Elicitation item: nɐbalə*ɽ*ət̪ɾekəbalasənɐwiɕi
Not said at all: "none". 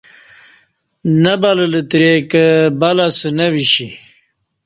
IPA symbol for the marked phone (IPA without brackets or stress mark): l